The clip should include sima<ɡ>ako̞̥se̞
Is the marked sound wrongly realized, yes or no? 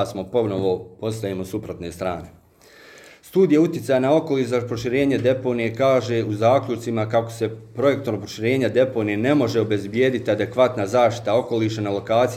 yes